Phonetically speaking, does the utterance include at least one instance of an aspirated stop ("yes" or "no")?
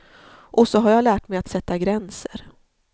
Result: no